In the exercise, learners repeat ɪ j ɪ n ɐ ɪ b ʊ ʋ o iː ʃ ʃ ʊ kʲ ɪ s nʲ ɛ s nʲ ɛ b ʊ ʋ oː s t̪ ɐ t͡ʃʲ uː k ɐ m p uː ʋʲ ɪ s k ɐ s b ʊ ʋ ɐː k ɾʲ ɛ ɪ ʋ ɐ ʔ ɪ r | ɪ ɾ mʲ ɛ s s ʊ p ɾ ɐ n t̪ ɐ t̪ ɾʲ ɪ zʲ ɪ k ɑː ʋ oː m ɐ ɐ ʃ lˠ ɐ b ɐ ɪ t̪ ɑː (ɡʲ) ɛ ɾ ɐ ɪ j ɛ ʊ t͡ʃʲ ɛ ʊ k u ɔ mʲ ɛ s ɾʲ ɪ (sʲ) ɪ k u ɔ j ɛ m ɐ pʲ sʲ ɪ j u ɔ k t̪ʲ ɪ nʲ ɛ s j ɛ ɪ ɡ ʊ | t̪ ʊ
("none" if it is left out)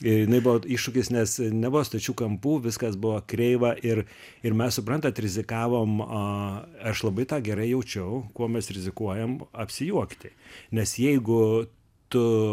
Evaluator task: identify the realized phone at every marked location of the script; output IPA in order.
ɡʲ, zʲ

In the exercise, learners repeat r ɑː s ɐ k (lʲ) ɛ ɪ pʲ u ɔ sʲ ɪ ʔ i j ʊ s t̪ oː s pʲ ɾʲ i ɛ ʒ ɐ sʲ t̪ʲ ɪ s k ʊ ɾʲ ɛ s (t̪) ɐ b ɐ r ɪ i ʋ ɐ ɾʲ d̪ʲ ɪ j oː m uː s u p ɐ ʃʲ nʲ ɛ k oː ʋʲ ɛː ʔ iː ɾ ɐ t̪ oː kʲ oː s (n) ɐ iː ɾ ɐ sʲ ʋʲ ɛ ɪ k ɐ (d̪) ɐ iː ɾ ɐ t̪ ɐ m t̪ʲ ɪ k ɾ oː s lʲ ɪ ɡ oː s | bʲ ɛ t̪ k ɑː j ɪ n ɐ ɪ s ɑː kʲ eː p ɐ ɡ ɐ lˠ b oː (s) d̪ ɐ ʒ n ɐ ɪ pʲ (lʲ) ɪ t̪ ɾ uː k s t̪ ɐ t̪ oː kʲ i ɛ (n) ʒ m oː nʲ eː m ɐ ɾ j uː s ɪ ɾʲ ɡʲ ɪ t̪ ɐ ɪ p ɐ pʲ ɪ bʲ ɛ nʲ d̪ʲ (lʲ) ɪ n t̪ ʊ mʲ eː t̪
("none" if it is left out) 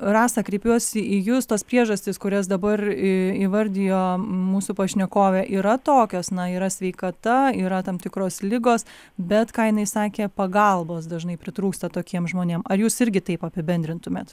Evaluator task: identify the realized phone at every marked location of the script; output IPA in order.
ɾʲ, d̪, n, t̪, s, ɾʲ, m, ɾʲ

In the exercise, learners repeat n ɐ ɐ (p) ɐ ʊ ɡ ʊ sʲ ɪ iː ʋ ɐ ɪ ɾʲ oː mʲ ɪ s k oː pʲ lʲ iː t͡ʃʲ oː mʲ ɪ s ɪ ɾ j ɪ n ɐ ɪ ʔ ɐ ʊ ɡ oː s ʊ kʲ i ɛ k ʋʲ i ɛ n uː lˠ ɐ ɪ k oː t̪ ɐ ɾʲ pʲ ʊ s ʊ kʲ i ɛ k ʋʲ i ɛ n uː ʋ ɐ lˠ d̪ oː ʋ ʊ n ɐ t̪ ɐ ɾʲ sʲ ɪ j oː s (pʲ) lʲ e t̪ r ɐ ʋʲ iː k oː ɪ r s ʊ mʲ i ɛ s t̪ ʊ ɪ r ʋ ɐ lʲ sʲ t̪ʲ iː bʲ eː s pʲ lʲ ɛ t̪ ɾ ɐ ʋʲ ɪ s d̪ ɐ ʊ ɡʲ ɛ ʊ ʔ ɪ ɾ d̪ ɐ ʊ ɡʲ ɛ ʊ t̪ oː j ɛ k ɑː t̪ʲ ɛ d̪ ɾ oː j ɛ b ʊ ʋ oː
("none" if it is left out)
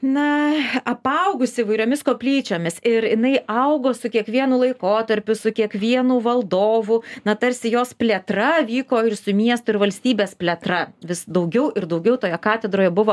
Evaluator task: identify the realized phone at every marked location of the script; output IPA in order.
p, pʲ

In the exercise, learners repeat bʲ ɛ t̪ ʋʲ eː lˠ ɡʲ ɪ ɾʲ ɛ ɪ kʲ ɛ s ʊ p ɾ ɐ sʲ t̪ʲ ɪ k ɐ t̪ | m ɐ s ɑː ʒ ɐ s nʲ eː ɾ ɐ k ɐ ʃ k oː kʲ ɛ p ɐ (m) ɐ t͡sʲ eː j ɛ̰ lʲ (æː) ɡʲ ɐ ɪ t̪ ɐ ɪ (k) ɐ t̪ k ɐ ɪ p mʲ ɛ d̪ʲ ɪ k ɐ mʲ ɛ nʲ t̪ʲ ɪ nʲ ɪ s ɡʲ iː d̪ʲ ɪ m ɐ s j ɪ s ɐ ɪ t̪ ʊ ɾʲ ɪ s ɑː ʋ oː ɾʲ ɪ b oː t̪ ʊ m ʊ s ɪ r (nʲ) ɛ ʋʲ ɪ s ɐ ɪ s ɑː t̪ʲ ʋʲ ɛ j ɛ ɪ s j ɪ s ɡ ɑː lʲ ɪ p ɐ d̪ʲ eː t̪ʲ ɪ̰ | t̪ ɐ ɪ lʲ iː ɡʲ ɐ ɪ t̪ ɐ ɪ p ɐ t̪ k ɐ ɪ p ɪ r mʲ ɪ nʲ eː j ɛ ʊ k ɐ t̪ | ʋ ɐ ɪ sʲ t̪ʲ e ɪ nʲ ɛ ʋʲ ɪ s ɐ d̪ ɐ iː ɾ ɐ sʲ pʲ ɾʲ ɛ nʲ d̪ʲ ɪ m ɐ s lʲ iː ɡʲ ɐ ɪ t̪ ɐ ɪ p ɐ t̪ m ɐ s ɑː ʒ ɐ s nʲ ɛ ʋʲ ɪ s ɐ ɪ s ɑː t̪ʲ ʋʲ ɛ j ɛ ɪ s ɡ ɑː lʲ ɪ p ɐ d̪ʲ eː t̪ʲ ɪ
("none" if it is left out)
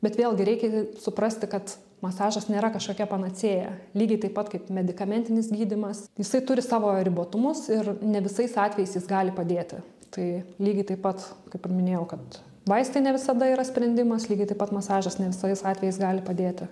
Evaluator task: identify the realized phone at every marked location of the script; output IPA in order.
n, iː, p, nʲ

